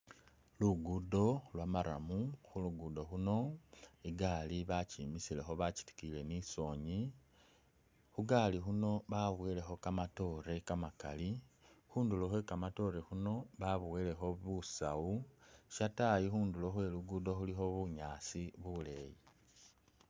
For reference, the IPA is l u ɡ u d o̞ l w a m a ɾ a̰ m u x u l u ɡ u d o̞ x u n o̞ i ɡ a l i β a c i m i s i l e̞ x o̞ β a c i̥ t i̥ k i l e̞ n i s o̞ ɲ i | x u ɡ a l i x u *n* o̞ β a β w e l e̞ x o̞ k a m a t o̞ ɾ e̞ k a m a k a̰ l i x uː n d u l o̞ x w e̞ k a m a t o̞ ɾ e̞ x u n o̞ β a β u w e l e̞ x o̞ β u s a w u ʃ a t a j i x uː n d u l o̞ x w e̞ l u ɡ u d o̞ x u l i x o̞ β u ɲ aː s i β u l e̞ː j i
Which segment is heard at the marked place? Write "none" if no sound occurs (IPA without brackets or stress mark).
n